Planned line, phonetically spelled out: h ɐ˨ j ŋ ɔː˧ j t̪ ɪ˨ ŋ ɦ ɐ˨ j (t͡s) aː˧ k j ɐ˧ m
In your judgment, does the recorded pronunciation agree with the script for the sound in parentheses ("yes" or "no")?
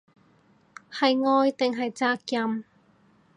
yes